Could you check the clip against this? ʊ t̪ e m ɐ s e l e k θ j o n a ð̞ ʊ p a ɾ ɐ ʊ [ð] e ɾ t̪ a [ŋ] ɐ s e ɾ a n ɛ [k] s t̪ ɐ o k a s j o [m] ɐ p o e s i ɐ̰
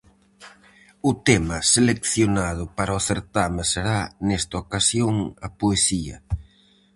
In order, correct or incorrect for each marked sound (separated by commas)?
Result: incorrect, incorrect, incorrect, incorrect